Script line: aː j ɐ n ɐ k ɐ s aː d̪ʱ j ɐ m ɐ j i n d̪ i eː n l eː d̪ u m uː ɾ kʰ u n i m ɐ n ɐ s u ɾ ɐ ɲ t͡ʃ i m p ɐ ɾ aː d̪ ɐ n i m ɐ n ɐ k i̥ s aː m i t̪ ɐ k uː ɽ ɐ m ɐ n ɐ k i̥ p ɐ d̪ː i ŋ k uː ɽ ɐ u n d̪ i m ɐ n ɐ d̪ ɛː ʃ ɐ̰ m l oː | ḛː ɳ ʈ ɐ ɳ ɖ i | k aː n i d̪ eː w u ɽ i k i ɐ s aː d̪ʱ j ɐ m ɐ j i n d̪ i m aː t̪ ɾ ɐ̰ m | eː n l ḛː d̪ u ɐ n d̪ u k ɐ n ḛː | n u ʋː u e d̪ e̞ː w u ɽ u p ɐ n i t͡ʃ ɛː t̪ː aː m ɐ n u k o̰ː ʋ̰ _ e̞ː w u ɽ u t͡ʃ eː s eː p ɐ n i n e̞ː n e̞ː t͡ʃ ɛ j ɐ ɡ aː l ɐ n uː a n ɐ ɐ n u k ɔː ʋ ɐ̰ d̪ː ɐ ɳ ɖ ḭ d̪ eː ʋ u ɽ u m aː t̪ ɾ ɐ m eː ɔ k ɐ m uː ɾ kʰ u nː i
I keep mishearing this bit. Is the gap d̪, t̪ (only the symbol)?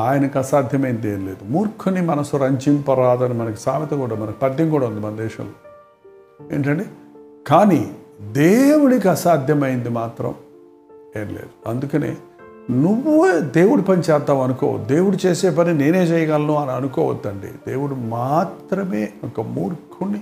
d̪